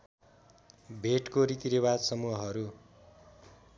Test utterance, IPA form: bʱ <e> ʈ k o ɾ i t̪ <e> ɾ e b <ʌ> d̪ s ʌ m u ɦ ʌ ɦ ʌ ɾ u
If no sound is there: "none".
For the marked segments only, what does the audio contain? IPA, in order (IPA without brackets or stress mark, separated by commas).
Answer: e, i, a